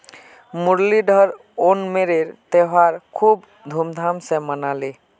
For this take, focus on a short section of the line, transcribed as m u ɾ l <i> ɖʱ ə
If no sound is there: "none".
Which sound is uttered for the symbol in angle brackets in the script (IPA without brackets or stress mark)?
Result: i